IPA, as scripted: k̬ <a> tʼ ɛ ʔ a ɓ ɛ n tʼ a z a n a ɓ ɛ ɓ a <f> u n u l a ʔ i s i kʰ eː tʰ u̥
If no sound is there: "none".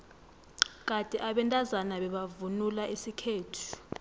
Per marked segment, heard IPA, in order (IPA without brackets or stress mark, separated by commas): a, v